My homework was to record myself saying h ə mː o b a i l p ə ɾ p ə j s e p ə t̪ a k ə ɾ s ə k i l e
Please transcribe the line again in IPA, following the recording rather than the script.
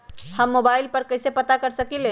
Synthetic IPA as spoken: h ə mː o b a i l p ə ɾ k ə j s e p ə t̪ a k ə ɾ s ə k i l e